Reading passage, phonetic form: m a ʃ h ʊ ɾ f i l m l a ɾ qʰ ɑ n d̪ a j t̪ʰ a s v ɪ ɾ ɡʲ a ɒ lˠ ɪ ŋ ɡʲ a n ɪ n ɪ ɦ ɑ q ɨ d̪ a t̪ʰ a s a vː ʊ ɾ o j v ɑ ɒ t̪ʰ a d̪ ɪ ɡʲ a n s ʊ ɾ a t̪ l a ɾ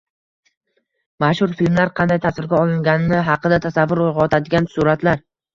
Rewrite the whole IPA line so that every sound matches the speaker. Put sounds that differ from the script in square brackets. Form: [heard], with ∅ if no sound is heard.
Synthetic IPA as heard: m a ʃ h ʊ ɾ f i l m l a ɾ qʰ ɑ n d̪ a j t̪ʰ a s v ɪ ɾ ɡʲ a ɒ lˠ ɪ ŋ ɡʲ a n ɪ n ɪ ɦ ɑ q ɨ d̪ a t̪ʰ a s a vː ʊ ɾ o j [ʁ] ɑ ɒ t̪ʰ a d̪ ɪ ɡʲ a n s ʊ ɾ a t̪ l a ɾ